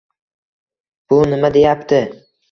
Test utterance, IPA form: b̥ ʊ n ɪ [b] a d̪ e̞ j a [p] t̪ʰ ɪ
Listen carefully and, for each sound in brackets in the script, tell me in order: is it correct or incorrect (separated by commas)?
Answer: incorrect, correct